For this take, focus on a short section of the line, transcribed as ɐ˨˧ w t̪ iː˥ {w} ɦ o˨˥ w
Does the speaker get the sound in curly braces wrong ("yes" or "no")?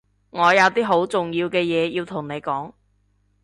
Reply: yes